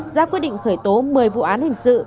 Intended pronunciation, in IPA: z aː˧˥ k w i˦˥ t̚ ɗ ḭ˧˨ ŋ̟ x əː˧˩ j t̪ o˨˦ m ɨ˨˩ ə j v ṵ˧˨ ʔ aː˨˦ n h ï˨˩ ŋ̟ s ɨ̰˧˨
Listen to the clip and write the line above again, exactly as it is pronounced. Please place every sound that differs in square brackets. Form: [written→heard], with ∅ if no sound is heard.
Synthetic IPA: z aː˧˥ k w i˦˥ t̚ ɗ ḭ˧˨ ŋ̟ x əː˧˩ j t̪ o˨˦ m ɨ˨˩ ə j v ṵ˧˨ ʔ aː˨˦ n h ï˨˩ ŋ̟ s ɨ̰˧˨